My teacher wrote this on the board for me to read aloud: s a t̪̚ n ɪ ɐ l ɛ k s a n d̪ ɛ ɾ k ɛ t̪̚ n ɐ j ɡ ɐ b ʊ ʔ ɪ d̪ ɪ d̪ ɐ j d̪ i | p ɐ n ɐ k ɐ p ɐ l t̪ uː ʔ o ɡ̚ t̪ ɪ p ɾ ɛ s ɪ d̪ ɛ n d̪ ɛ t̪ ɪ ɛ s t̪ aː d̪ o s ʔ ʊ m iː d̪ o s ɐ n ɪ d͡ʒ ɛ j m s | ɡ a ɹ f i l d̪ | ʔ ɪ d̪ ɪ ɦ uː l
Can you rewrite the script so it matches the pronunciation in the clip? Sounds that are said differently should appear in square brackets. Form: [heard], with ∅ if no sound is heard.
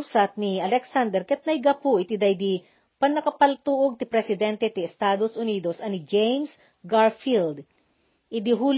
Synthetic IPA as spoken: s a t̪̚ n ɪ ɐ l ɛ k s a n d̪ ɛ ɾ k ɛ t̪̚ n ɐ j ɡ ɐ [p] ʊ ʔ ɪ [t̪] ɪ d̪ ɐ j d̪ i | p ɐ n ɐ k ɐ p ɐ l t̪ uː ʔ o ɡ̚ t̪ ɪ p ɾ ɛ s ɪ d̪ ɛ n [t̪] ɛ t̪ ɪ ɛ s t̪ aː d̪ o s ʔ ʊ [n] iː d̪ o s ɐ n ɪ d͡ʒ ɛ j m s | ɡ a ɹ f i l d̪ | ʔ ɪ d̪ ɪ ɦ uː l